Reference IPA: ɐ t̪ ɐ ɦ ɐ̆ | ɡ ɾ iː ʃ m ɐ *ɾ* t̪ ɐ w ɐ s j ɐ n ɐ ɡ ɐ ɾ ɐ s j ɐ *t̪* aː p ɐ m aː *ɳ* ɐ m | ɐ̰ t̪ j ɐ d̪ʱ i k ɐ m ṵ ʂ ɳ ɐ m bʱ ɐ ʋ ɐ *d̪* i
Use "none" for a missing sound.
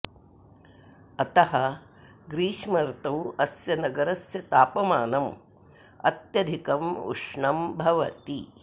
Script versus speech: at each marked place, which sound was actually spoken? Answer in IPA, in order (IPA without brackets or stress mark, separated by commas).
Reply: ɾ, t̪, n, t̪